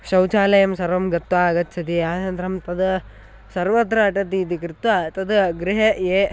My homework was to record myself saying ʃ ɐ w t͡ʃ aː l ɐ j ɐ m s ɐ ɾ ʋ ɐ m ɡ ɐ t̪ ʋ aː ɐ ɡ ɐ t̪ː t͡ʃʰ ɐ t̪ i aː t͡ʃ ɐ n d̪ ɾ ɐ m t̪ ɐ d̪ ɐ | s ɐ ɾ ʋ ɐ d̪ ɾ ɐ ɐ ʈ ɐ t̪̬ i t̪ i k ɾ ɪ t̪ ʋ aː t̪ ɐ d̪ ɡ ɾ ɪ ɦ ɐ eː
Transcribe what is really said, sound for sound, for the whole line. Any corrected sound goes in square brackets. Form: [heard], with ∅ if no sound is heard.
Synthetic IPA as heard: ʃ ɐ w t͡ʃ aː l ɐ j ɐ m s ɐ ɾ ʋ ɐ m ɡ ɐ t̪ ʋ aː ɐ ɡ ɐ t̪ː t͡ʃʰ ɐ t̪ i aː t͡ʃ ɐ n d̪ ɾ ɐ m t̪ ɐ d̪ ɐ | s ɐ ɾ ʋ ɐ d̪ ɾ ɐ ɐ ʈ ɐ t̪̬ i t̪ i k ɾ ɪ t̪ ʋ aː t̪ ɐ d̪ ɡ ɾ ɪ ɦ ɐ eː